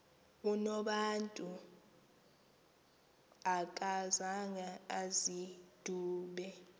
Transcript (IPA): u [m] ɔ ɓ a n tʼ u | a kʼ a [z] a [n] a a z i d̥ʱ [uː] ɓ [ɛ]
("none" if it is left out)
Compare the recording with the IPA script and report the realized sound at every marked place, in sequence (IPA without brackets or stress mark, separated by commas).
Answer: n, z, ŋ, uː, ɛ